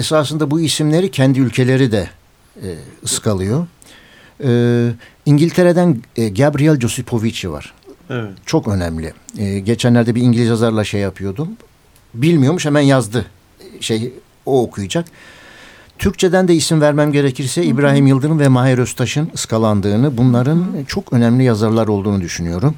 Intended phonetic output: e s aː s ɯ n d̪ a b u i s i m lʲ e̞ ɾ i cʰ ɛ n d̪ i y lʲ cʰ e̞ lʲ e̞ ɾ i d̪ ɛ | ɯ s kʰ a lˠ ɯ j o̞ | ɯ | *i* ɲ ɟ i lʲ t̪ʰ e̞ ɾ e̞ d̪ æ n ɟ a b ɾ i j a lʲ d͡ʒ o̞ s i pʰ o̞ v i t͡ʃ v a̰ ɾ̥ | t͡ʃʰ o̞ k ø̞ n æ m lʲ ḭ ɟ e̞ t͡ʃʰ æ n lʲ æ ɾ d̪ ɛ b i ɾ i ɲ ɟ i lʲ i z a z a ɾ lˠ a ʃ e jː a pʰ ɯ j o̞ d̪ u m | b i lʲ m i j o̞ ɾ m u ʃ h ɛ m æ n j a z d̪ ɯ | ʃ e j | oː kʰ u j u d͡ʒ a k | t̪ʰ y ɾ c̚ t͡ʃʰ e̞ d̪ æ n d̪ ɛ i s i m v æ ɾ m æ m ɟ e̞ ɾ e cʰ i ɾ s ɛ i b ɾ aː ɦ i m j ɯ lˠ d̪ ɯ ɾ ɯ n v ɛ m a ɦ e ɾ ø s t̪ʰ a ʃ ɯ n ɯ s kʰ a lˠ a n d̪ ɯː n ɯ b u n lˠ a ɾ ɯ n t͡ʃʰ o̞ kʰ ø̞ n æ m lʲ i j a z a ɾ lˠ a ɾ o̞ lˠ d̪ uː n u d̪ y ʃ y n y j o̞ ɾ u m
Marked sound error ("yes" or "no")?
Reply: no